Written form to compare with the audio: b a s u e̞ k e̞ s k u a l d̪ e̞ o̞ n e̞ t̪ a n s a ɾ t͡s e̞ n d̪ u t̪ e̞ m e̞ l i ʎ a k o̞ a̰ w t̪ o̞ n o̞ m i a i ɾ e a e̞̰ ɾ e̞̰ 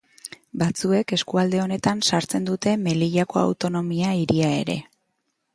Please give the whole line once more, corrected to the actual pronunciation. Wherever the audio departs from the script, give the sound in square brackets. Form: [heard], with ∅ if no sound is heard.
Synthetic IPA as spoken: b a [t͡s] u e̞ k e̞ s k u a l d̪ e̞ o̞ n e̞ t̪ a n s a ɾ t͡s e̞ n d̪ u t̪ e̞ m e̞ l i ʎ a k o̞ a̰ w t̪ o̞ n o̞ m i a i ɾ [i] a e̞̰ ɾ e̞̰